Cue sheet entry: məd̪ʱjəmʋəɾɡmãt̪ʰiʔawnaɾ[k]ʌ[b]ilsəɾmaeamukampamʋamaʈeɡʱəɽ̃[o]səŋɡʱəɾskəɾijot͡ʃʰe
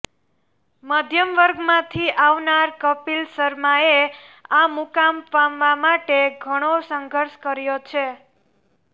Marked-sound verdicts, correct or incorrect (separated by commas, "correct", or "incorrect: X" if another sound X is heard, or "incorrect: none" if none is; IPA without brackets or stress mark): correct, incorrect: p, correct